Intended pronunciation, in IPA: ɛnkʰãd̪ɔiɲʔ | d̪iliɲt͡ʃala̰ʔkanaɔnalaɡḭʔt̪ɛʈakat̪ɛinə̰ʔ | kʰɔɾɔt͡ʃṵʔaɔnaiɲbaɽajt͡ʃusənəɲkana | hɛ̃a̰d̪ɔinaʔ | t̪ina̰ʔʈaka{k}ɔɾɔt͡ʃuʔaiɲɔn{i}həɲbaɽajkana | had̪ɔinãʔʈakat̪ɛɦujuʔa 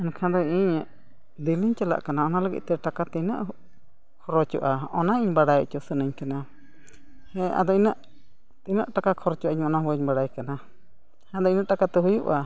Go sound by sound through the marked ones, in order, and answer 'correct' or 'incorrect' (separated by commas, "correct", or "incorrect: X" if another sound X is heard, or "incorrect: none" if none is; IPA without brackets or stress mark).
incorrect: kʰ, incorrect: a